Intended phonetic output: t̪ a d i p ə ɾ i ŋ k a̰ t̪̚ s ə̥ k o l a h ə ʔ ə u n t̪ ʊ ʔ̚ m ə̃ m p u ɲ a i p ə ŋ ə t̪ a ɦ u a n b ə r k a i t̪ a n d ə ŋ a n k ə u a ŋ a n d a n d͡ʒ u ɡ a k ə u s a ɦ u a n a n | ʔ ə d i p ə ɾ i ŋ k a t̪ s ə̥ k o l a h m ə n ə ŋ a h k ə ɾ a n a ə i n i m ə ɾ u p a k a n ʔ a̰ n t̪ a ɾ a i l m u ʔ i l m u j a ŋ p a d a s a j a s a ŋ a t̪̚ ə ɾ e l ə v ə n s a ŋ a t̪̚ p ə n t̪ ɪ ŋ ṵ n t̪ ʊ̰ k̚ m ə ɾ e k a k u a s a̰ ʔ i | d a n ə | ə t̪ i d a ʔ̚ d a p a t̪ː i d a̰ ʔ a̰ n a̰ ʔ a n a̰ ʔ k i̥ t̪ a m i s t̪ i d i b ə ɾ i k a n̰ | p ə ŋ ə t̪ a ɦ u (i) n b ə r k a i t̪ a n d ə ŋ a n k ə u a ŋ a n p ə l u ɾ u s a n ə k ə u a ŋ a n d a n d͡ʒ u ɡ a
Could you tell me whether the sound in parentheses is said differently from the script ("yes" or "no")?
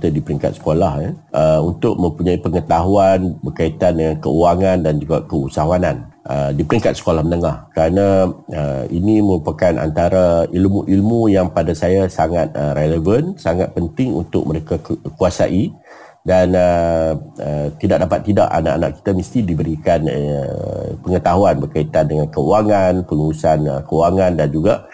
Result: yes